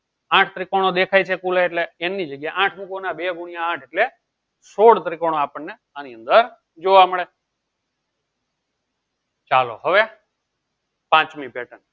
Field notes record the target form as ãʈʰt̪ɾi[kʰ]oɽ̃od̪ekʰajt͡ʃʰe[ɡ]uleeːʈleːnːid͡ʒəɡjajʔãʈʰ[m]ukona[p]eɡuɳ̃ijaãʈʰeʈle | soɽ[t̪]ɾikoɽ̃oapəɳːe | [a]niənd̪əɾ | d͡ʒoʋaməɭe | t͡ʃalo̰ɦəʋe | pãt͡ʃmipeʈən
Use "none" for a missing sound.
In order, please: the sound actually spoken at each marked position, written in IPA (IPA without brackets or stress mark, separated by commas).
k, k, m, b, t̪, a